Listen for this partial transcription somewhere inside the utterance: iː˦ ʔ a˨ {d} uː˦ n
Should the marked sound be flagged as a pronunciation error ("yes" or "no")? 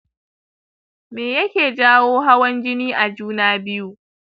yes